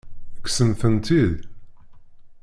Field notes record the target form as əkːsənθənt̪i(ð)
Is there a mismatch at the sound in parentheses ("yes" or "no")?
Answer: no